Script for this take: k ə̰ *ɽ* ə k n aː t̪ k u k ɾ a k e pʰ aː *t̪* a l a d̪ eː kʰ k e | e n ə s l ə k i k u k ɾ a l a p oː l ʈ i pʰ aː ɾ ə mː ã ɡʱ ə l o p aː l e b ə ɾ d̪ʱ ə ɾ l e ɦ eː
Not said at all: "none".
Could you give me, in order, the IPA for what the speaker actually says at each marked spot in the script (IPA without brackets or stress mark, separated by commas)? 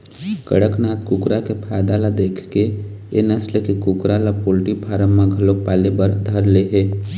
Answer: ɽ, d̪